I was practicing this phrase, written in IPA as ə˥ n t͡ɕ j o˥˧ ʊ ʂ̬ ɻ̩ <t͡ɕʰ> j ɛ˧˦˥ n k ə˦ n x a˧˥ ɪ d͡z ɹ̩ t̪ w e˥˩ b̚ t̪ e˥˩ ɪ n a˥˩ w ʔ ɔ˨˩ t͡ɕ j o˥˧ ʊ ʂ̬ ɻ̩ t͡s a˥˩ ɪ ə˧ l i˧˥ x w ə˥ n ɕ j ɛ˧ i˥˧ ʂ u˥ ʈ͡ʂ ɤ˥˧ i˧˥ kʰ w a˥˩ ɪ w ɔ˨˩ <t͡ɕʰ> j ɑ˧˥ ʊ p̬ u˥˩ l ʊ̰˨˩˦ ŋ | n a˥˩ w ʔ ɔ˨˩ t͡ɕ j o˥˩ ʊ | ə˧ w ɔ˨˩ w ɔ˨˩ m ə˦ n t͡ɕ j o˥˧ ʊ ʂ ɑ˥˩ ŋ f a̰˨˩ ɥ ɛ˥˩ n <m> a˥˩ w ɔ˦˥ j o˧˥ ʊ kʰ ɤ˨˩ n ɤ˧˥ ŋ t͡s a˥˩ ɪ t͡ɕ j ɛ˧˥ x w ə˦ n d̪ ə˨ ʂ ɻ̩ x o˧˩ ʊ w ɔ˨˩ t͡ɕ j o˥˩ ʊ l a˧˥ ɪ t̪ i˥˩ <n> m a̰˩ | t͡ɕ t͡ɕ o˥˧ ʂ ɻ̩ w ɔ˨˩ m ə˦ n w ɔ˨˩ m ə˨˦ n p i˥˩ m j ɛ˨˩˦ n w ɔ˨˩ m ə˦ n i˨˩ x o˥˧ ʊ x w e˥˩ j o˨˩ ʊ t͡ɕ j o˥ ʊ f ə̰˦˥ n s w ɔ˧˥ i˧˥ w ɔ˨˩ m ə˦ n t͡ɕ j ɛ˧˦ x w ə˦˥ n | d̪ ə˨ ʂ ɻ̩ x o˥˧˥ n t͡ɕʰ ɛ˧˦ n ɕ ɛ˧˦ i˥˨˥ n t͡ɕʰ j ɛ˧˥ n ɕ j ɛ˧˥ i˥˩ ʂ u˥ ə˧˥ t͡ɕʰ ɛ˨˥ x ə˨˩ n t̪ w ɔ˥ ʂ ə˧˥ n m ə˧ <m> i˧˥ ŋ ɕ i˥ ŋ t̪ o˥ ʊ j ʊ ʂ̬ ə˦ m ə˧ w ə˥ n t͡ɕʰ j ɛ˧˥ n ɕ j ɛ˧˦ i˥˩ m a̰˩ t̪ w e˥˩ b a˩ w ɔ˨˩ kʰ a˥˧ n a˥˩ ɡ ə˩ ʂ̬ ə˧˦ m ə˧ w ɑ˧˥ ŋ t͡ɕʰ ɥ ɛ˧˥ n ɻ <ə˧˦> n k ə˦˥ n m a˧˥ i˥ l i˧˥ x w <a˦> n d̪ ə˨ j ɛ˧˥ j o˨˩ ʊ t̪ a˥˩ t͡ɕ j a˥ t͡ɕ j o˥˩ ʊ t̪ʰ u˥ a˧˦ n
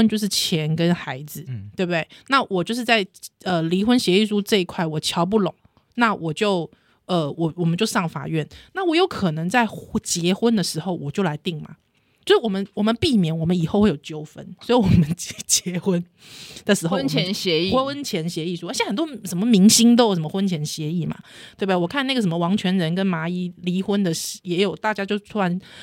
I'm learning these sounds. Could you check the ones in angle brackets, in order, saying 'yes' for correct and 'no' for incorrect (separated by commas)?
yes, yes, no, no, yes, yes, no